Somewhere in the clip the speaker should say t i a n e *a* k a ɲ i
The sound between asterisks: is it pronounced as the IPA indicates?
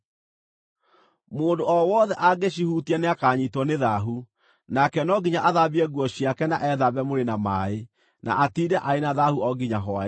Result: yes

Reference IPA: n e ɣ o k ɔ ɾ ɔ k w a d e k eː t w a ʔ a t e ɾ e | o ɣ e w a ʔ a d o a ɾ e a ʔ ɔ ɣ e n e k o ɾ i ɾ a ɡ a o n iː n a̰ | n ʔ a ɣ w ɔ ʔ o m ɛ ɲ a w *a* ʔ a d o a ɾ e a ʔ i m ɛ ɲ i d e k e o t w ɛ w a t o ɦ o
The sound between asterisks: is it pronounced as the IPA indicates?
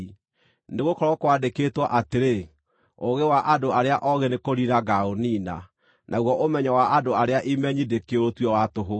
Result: yes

